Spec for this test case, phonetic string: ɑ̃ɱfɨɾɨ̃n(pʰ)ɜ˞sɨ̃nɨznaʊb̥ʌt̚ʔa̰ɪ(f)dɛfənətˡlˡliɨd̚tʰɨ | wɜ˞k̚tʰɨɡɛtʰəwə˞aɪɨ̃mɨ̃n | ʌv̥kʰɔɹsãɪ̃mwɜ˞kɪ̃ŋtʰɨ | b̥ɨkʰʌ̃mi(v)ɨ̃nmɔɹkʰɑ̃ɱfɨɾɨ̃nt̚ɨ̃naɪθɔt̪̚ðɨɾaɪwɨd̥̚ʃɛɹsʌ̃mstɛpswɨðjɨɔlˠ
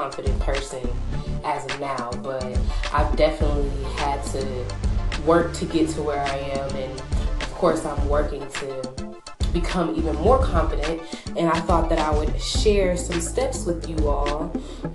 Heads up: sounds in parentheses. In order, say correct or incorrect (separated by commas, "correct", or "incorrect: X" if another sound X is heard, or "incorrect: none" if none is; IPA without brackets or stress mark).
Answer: correct, incorrect: v, correct